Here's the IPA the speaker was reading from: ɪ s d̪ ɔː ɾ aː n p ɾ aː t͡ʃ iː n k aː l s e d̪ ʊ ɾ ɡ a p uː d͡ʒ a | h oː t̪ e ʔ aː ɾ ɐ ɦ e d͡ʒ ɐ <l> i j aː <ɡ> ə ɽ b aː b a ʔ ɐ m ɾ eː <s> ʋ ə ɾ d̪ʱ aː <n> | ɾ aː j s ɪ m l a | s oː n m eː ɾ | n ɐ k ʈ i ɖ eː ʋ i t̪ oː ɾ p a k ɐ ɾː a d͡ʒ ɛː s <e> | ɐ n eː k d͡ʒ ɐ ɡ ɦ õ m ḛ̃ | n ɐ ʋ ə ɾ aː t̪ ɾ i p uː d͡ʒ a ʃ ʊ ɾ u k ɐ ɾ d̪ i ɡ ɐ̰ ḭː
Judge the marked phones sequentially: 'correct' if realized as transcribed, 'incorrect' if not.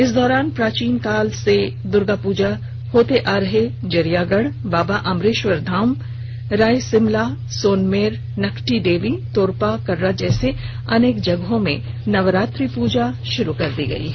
incorrect, correct, incorrect, incorrect, correct

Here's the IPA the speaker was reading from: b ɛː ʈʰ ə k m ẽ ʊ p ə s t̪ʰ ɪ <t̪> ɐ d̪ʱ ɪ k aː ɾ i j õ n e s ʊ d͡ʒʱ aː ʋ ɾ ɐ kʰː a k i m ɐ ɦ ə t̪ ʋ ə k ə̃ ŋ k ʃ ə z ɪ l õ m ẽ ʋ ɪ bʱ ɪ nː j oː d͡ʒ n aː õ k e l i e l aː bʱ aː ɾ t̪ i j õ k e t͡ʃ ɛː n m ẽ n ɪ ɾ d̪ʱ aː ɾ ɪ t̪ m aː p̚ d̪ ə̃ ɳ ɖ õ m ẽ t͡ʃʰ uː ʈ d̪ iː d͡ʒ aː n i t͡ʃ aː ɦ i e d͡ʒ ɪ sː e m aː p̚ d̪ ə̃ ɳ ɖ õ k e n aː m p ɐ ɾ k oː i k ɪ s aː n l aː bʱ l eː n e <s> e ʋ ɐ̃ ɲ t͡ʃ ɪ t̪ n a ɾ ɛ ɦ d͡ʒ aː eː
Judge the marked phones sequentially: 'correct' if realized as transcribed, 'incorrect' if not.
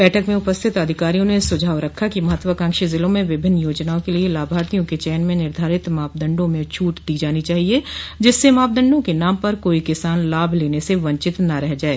correct, correct

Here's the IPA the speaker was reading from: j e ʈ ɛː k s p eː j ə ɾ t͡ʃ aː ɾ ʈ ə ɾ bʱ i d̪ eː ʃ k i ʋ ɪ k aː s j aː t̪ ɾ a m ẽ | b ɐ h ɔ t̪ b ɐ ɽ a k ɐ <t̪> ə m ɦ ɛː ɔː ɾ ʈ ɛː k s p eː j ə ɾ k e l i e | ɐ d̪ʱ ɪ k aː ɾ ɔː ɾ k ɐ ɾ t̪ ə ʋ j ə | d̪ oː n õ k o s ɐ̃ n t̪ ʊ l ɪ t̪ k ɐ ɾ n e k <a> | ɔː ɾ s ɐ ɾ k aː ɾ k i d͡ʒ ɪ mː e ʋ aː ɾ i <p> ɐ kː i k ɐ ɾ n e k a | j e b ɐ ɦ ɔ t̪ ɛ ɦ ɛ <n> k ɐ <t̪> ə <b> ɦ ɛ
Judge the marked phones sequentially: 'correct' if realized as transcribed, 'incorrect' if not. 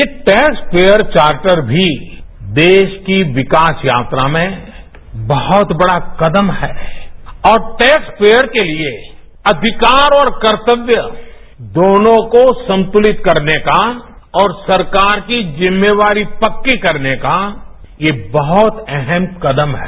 incorrect, correct, correct, incorrect, incorrect, incorrect

